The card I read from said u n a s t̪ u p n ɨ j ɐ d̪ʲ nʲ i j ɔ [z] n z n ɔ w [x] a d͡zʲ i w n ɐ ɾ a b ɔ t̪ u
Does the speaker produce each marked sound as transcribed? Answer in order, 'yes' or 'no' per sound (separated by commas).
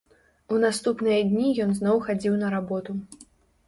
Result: no, yes